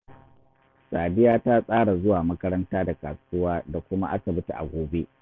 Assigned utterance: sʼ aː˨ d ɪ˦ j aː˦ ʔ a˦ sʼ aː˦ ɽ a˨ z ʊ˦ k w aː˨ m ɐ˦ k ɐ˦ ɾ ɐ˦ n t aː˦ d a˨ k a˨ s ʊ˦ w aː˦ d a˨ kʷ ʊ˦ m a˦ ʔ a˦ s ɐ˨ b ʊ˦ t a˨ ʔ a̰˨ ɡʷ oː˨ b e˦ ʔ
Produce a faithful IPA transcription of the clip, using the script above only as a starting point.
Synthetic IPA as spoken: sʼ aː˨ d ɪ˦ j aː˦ t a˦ sʼ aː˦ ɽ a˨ z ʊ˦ w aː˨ m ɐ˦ k ɐ˦ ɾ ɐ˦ n t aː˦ d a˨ k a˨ s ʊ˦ w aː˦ d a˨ kʷ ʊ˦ m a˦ ʔ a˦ s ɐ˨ b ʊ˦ t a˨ ʔ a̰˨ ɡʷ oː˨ b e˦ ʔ